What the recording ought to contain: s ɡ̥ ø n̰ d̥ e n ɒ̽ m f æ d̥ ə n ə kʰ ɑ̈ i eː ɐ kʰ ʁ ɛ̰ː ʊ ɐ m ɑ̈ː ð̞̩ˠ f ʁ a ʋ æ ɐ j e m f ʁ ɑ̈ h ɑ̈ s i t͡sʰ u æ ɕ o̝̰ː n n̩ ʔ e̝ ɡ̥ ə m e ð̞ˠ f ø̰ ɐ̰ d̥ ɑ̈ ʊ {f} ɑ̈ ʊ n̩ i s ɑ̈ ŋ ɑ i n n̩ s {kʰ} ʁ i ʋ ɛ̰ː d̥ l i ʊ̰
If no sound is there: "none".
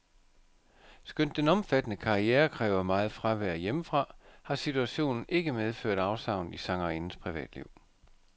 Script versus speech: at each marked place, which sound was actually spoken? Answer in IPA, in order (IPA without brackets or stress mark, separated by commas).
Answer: s, pʰ